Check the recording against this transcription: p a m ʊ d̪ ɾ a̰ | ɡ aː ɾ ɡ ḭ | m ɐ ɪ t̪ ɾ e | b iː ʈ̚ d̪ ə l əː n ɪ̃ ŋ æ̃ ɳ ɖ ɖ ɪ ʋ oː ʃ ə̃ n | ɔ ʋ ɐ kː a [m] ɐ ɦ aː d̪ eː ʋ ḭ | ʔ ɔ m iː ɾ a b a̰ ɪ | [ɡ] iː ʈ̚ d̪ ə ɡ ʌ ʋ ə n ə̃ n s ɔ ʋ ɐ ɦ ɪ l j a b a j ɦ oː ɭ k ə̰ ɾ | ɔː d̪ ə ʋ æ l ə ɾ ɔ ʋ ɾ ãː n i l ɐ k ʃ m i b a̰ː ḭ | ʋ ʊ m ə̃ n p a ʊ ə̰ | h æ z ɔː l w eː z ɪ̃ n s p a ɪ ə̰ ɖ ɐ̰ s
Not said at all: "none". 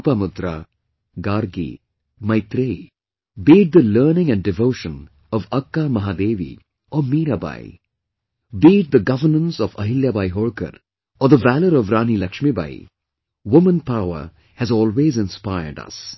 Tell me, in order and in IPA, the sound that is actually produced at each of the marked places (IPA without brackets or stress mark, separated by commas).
m, b